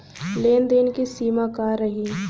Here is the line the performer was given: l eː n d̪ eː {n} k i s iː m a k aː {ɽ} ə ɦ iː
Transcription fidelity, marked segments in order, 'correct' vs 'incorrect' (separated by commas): correct, incorrect